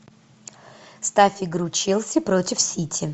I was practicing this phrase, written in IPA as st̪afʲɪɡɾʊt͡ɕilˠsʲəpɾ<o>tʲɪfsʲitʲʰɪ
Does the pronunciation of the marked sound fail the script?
no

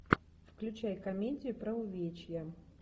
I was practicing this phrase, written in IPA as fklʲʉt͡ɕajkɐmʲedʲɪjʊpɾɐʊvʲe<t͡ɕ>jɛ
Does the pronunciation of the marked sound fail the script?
no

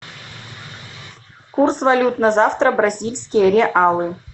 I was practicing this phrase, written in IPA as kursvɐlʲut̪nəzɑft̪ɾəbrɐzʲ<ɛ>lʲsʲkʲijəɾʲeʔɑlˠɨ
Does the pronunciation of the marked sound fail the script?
yes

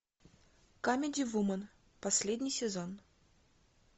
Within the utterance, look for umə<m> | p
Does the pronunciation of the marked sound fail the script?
yes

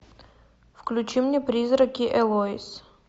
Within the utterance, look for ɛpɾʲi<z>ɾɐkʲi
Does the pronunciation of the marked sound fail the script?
no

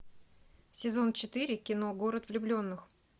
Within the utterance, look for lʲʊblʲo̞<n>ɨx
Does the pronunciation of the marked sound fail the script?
yes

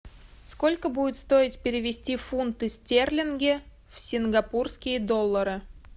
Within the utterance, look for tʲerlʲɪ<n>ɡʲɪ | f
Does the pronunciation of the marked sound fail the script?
no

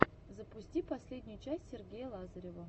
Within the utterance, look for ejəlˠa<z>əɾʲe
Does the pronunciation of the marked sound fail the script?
no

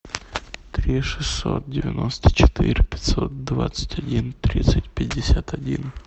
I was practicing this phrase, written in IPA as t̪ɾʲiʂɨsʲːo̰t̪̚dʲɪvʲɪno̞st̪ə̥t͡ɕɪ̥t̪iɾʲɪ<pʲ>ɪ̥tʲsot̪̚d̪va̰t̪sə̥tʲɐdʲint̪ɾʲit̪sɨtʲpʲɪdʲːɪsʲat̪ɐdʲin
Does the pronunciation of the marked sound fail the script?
no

